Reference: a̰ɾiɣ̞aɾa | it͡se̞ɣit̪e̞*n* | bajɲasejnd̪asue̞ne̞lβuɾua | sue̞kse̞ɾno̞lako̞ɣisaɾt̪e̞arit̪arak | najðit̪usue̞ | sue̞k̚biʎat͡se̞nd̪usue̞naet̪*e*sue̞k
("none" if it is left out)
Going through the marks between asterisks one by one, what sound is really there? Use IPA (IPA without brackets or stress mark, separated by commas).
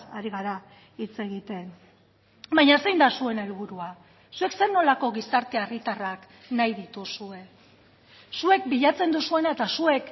n, a